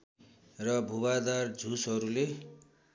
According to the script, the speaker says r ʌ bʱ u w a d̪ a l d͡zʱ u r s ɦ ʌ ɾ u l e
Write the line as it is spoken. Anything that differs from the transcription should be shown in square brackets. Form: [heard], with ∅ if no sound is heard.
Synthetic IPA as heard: r ʌ bʱ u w a d̪ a [r] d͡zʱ u [∅] s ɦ ʌ ɾ u l e